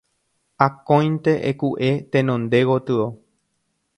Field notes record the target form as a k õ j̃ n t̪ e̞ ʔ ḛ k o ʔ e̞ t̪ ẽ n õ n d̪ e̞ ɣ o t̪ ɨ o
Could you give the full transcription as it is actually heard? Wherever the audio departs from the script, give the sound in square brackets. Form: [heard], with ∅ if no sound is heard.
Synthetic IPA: a k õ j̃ n t̪ e̞ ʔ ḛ k [u] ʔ e̞ t̪ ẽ n õ n d̪ e̞ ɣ o t̪ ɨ o